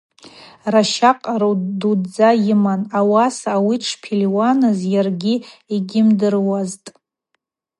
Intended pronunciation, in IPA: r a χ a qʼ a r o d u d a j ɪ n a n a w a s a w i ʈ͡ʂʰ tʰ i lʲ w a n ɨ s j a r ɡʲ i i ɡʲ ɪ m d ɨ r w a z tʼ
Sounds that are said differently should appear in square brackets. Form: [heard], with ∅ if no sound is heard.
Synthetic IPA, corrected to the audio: r a [ʃ] a qʼ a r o d u [d͡z] a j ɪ [m] a n a w a s a w i ʈ͡ʂʰ [pʰ] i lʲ w a n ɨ [z] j a r ɡʲ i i ɡʲ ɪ m d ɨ r w a z tʼ

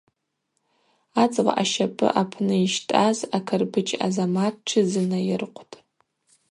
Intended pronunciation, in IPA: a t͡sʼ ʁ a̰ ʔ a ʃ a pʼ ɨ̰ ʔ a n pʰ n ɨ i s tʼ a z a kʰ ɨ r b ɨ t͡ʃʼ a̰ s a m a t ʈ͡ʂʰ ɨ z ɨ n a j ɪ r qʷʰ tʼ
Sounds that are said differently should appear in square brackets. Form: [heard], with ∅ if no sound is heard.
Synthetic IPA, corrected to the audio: a t͡sʼ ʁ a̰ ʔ a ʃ a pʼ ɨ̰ ʔ a [∅] pʰ n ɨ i [ʃ] tʼ a z a kʰ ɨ r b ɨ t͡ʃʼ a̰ [z] a m a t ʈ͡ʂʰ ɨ z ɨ n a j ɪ r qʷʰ tʼ

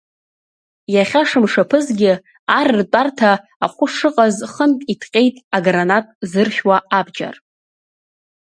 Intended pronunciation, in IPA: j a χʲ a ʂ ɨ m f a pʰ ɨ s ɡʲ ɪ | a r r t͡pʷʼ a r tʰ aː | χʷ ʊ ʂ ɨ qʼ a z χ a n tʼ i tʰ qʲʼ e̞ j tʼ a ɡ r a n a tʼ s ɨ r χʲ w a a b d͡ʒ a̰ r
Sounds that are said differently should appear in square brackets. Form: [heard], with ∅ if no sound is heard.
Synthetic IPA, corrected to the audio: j a χʲ a ʂ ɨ m [ʂ] a pʰ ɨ [z] ɡʲ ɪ | a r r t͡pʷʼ a r tʰ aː | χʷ ʊ ʂ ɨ qʼ a z χ [ə] n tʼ i tʰ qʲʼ e̞ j tʼ a ɡ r a n a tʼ [z] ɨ r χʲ w a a b d͡ʒ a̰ r

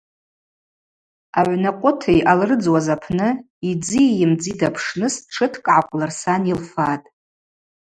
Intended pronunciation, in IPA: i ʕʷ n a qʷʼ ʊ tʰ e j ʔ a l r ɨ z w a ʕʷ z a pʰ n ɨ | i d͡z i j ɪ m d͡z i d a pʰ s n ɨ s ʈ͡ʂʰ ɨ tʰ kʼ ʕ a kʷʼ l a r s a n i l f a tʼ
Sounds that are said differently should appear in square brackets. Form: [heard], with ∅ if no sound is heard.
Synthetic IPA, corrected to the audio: [a] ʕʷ n a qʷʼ ʊ tʰ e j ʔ a l r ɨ [d͡z] w a [∅] z a pʰ n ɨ | i d͡z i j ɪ m d͡z i d a pʰ [ʂ] n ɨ s ʈ͡ʂʰ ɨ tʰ kʼ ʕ a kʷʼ l a r s a n i l f a tʼ

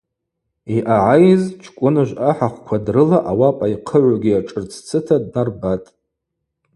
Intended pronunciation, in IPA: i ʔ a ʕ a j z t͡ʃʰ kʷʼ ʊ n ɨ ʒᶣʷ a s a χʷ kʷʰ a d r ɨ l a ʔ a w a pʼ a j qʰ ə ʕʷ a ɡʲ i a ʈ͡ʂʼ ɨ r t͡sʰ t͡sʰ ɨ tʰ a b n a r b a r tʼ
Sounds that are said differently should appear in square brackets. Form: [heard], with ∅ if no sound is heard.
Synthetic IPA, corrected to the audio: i ʔ a ʕ a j z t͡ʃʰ kʷʼ ʊ n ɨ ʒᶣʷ a [ħ] a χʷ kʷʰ a d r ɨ l a ʔ a w a pʼ a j qʰ ə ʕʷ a ɡʲ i a ʈ͡ʂʼ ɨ r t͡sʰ t͡sʰ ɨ tʰ a [d] n a r b a [∅] tʼ

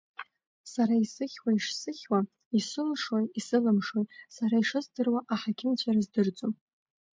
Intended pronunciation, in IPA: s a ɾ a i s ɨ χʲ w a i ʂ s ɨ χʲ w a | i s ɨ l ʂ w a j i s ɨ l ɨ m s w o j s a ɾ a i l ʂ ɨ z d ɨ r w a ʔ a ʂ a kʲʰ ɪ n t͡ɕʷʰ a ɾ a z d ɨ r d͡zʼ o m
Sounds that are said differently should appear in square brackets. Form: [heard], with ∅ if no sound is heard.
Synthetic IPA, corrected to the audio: s a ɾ a i s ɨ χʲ w a i ʂ s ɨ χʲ w a | i s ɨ l ʂ w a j i s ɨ l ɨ m [ʂ] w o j s a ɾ a i [∅] ʂ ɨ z d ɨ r w a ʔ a [ħ] a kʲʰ ɪ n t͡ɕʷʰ a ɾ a z d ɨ r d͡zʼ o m

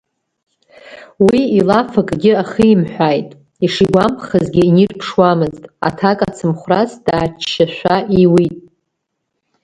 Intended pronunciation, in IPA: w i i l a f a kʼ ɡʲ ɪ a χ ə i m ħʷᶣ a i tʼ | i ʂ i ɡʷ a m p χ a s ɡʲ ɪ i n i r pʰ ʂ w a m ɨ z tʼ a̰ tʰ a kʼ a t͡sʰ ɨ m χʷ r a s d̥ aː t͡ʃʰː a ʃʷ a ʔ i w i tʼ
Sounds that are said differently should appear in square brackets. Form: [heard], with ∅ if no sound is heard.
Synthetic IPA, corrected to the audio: w i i l a f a kʼ ɡʲ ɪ a χ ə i m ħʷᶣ a [j] tʼ | i ʂ i ɡʷ a m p χ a [z] ɡʲ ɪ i n i r pʰ ʂ w a m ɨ z tʼ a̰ tʰ a kʼ a t͡sʰ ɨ m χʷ r a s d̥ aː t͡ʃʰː a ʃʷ a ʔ i w i tʼ

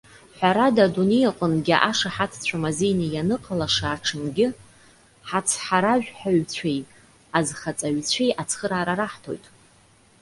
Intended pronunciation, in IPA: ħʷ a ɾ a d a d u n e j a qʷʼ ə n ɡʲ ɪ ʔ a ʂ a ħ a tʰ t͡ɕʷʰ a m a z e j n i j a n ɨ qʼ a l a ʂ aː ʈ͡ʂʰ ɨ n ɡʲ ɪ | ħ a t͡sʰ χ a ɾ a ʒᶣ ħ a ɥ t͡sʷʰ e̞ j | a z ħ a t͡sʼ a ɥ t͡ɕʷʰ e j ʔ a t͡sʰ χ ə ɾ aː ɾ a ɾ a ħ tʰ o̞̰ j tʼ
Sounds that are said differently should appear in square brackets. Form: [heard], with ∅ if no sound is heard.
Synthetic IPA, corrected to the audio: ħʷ a ɾ a d a d u n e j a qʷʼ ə n ɡʲ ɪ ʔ a ʂ a ħ a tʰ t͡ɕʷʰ a m a z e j n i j a n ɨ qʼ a l a ʂ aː ʈ͡ʂʰ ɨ n ɡʲ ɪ | ħ a t͡sʰ [ħ] a ɾ a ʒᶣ ħ a ɥ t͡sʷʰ e̞ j | a z [χ] a t͡sʼ a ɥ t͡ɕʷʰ e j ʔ a t͡sʰ χ ə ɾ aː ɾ a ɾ a ħ tʰ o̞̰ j tʼ

